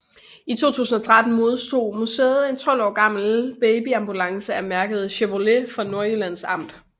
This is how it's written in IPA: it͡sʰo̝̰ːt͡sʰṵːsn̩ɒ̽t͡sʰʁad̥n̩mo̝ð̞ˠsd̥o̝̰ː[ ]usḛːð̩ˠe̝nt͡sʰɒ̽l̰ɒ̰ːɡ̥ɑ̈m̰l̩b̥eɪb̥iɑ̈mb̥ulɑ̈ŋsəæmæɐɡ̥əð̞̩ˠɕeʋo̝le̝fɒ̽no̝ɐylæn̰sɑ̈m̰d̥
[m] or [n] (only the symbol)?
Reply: m